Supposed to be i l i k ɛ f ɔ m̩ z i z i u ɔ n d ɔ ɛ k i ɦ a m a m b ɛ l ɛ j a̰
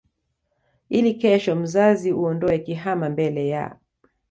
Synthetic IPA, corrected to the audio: i l i k ɛ ʃ ɔ m̩ z a z i u ɔ n d ɔ ɛ k i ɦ a m a m b ɛ l ɛ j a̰